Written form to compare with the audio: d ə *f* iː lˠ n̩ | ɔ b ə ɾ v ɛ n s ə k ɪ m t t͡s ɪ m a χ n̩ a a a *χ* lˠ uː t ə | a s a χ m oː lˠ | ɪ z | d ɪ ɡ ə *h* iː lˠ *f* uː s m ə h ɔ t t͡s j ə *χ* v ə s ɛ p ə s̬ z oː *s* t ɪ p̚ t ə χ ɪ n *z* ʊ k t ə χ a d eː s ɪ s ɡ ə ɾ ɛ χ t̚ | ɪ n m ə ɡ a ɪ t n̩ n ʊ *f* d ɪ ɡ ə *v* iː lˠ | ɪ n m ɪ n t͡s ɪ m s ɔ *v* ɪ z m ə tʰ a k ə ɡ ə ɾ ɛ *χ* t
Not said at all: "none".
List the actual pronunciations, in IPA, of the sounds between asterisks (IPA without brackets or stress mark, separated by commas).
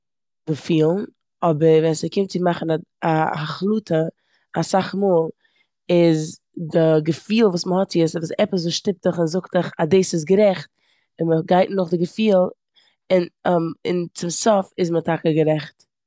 f, χ, f, v, s, ʃ, z, χ, f, f, χ